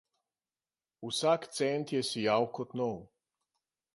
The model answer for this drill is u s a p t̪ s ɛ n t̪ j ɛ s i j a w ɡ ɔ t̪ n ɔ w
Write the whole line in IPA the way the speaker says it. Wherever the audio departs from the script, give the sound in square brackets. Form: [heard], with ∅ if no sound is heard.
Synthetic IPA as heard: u s a [k] t̪ s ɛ n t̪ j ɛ s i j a w [k] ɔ t̪ n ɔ w